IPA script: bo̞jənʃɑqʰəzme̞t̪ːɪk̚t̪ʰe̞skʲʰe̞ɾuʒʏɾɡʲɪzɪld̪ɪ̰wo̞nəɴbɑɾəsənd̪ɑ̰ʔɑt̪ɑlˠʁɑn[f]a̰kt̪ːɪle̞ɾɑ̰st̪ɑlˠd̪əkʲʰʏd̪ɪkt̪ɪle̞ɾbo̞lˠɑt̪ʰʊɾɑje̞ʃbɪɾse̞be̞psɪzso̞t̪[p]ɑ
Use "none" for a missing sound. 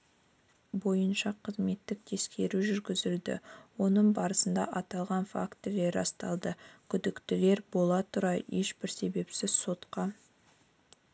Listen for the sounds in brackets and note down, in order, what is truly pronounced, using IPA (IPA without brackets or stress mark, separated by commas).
f, q